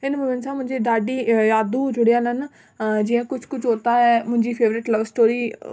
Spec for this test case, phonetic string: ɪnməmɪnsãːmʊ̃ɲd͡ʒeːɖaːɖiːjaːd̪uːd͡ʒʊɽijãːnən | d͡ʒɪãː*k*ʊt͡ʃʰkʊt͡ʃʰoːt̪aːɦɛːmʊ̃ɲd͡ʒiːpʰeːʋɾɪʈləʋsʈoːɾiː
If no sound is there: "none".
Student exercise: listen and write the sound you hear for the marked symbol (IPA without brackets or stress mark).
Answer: k